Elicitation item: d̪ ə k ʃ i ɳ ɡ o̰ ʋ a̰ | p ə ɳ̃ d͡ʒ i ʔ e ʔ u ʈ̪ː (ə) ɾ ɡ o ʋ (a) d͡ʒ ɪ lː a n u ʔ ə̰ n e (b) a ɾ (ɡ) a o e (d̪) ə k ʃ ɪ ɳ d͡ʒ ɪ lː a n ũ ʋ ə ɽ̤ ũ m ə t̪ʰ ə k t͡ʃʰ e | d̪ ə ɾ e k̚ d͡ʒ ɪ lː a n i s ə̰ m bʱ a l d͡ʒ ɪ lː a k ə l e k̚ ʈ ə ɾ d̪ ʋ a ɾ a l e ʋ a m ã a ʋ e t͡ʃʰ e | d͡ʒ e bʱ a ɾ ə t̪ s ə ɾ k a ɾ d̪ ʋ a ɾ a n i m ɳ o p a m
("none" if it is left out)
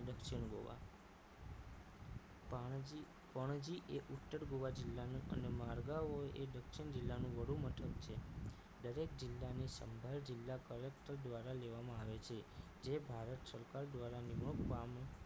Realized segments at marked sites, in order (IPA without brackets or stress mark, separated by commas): ə, a, m, ɡ, d̪